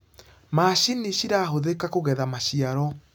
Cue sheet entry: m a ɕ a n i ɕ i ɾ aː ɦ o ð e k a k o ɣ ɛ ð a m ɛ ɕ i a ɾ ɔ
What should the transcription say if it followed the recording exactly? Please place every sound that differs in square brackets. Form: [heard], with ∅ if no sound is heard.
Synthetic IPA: m a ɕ [i] n i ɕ i ɾ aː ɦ o ð e k a k o ɣ ɛ ð a m [a] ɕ i a ɾ ɔ